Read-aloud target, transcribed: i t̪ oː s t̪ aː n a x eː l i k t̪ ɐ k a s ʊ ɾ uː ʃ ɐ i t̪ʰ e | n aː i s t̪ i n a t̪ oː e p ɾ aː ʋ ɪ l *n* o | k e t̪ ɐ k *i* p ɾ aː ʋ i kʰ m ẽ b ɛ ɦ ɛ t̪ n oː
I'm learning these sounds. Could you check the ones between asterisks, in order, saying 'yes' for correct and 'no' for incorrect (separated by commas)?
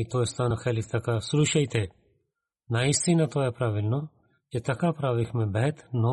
yes, no